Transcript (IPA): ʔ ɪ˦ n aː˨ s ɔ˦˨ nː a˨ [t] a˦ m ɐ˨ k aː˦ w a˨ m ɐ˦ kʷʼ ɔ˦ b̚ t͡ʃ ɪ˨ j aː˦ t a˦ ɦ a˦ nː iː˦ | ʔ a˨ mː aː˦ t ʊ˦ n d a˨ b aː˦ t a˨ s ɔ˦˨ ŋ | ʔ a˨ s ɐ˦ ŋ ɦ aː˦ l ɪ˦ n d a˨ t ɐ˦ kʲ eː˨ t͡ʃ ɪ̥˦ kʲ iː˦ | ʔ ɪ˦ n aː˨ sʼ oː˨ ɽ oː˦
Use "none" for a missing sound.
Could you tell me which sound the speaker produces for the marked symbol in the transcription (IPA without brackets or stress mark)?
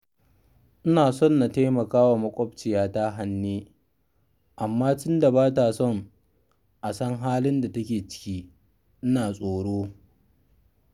t